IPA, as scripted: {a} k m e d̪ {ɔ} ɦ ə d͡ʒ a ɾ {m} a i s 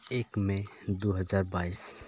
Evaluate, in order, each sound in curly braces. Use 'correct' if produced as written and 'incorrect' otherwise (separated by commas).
incorrect, incorrect, incorrect